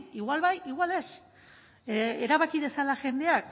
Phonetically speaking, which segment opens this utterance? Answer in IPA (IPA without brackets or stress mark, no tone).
i